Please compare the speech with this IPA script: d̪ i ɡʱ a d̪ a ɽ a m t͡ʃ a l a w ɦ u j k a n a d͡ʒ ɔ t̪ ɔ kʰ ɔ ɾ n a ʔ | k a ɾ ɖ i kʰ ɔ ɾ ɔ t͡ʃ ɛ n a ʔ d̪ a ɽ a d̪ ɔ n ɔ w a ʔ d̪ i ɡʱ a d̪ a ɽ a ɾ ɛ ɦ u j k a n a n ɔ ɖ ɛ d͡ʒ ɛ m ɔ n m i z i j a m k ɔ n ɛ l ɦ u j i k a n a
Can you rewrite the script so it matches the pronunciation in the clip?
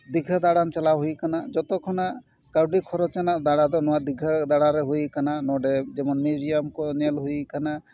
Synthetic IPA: d̪ i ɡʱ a d̪ a ɽ a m t͡ʃ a l a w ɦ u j k a n a d͡ʒ ɔ t̪ ɔ kʰ ɔ n a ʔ | k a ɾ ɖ i kʰ ɔ ɾ ɔ t͡ʃ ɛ n a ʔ d̪ a ɽ a d̪ ɔ n ɔ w a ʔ d̪ i ɡʱ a d̪ a ɽ a ɾ ɛ ɦ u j k a n a n ɔ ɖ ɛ d͡ʒ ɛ m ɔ n m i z i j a m k ɔ n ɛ l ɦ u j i k a n a